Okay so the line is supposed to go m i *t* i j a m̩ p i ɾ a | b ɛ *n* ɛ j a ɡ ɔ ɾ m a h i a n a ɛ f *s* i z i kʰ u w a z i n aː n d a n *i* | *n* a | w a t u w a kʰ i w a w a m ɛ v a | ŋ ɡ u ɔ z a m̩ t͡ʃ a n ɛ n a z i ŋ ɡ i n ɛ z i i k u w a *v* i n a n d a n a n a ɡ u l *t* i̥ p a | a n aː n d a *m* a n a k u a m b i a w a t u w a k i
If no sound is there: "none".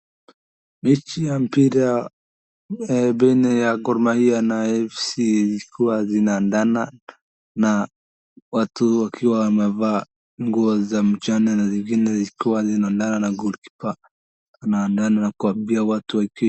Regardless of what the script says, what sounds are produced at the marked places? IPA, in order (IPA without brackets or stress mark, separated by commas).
t͡ʃ, n, s, a, n, z, k, n